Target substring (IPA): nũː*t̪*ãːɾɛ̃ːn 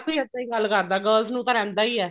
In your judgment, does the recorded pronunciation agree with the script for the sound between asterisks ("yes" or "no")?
yes